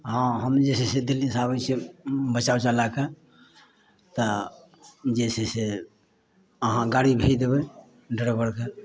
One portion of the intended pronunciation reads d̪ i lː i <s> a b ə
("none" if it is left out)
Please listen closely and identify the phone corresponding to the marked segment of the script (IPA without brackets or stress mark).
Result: s